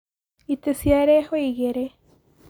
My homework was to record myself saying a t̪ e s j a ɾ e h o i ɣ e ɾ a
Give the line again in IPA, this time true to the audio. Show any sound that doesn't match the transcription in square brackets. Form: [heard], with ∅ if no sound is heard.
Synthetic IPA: [i] t̪ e s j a ɾ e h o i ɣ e ɾ [e]